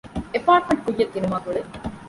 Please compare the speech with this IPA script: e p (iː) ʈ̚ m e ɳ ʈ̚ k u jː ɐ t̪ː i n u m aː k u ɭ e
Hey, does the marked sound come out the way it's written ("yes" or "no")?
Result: no